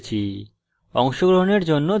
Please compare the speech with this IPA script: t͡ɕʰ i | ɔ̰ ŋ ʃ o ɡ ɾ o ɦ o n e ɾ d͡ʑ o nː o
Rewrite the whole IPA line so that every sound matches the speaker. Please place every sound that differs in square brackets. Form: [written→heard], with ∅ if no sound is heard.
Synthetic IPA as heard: t͡ɕʰ i | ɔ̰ ŋ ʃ o ɡ ɾ o ɦ o n e ɾ d͡ʑ o nː o